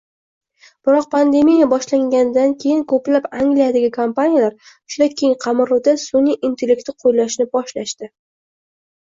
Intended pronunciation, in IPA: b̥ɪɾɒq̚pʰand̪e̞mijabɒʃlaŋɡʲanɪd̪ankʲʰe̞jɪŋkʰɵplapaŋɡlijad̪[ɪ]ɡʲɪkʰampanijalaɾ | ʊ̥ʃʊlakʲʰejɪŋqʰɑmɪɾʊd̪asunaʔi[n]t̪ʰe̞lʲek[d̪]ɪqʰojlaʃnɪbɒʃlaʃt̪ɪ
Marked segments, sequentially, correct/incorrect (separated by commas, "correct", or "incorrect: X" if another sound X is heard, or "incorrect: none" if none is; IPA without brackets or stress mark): correct, correct, incorrect: t̪